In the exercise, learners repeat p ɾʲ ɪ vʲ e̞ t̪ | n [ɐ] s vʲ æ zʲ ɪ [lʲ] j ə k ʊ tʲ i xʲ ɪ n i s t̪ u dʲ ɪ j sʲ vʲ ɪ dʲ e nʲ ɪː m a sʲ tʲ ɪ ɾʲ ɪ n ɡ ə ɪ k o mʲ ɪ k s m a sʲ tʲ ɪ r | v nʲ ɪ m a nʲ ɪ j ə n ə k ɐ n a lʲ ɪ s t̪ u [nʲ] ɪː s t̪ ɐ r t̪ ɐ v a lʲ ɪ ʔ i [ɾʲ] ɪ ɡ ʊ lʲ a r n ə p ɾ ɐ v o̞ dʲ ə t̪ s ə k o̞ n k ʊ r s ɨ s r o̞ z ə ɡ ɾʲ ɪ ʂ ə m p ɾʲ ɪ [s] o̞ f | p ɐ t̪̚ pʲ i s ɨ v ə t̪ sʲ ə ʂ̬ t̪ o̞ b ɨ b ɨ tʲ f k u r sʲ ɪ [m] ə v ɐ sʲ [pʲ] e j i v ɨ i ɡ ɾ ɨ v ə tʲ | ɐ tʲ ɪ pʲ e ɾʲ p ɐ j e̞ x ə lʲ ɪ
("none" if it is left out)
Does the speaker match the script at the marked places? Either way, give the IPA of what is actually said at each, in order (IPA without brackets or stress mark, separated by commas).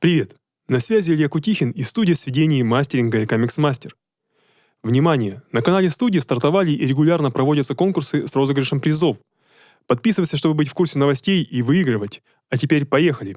ɐ, lʲ, dʲ, ɾʲ, z, n, tʲ